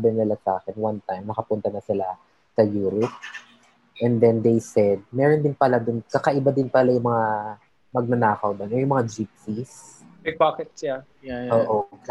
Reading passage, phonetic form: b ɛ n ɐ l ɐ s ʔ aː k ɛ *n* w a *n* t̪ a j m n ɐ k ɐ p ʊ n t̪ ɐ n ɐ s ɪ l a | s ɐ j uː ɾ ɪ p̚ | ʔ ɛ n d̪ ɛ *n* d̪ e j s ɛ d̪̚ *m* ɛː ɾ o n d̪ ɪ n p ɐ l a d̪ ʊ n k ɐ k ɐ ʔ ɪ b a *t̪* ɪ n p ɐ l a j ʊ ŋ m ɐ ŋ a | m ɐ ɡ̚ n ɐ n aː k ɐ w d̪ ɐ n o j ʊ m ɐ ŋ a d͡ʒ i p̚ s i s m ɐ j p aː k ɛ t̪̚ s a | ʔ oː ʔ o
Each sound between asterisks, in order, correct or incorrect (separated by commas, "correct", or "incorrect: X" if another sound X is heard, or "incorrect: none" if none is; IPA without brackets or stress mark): correct, correct, correct, correct, incorrect: d̪